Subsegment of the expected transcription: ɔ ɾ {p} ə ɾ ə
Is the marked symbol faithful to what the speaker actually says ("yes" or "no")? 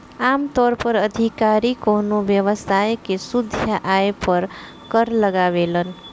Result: yes